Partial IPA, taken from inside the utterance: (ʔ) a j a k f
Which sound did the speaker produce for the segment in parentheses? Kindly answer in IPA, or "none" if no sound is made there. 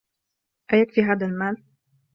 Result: ʔ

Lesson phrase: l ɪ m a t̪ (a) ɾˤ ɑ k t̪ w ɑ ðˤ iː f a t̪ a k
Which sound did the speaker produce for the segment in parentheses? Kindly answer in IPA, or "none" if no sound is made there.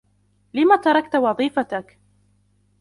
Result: ɑ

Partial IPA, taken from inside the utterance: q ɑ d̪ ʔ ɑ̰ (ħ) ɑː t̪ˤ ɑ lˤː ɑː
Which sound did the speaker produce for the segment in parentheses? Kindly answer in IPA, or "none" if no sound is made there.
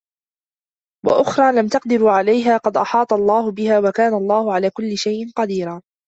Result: ħ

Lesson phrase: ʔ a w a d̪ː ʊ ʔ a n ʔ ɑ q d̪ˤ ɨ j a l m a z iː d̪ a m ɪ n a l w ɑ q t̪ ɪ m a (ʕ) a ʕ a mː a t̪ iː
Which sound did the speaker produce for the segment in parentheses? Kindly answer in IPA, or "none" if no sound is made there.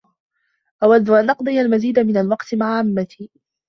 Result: ʕ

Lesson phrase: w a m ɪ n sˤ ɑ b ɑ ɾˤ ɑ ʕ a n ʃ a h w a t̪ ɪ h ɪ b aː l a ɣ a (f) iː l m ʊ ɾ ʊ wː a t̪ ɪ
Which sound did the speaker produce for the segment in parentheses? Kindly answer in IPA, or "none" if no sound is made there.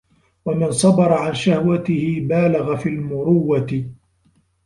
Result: f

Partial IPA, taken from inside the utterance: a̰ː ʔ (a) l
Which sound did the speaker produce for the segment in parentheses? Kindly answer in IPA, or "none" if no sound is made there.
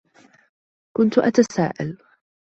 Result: a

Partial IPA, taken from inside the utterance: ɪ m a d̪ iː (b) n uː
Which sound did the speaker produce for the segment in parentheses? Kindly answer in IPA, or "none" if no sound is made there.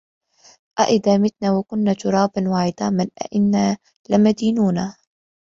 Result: none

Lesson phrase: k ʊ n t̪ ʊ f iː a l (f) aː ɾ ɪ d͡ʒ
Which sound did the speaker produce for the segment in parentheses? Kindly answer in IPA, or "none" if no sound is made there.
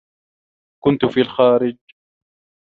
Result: x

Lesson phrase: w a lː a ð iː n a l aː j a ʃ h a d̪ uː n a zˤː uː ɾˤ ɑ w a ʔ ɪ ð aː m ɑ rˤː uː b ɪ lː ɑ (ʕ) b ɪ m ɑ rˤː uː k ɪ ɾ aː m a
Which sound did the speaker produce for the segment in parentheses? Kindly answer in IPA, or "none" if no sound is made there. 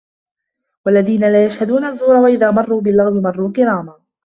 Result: ɣ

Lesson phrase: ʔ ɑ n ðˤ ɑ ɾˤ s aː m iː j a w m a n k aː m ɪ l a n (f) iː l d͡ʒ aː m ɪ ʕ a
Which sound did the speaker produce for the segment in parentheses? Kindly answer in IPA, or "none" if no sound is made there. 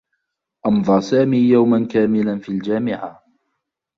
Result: f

